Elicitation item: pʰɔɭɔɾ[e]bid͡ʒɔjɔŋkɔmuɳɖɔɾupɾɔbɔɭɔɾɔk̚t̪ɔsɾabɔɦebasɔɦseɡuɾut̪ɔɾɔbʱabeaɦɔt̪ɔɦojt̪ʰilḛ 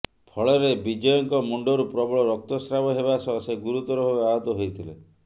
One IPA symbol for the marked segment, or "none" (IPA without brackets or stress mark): e